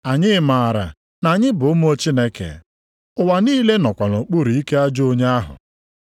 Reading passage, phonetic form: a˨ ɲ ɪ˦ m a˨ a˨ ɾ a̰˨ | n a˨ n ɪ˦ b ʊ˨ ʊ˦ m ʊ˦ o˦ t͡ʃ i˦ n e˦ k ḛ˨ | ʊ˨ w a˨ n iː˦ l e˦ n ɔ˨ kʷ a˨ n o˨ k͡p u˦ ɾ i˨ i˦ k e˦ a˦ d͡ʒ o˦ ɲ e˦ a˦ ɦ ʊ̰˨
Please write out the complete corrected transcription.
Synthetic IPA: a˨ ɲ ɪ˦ m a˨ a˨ ɾ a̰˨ | n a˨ ɲ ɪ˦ b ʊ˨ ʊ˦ m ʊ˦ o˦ t͡ʃ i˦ n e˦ k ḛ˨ | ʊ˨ w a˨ n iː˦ l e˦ n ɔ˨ kʷ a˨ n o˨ k͡p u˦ ɾ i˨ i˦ k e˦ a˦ d͡ʒ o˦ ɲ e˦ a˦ ɦ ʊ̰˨